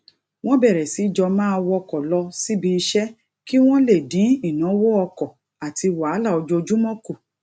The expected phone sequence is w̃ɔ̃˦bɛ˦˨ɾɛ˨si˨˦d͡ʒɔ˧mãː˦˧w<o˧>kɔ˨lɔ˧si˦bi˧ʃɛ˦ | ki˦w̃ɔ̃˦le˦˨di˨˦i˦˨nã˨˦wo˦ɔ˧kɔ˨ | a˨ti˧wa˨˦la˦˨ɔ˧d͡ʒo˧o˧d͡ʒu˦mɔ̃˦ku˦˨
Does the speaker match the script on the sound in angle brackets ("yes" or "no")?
no